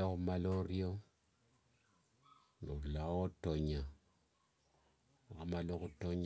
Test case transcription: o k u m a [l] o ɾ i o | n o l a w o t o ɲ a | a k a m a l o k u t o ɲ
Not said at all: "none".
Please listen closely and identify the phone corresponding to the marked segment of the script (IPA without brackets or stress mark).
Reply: l